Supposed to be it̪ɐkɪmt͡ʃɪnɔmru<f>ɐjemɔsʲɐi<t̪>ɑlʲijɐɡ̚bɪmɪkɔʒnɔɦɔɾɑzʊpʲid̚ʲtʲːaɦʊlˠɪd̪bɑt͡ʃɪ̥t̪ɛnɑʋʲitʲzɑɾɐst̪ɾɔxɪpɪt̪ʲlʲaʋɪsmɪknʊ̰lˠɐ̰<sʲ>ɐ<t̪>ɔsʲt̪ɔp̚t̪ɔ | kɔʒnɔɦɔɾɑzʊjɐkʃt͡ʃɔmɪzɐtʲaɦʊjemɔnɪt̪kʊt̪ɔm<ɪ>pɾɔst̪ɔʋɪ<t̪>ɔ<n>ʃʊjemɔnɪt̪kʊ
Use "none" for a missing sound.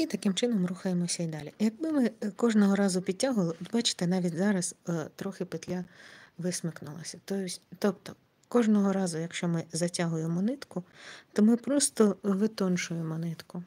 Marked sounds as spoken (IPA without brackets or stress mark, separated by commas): x, d̪, sʲ, t̪, ɪ, t̪, n